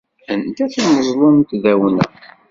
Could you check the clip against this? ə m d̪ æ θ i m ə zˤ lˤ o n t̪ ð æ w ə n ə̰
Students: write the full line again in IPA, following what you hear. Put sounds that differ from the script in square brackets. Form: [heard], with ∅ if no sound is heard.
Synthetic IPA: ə [n] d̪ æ θ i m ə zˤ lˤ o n t̪ ð æ w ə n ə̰